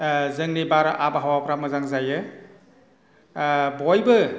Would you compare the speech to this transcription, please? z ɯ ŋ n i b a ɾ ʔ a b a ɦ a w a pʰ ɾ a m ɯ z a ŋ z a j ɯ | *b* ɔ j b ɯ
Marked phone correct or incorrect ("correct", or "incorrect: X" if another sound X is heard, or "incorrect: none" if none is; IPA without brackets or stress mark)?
correct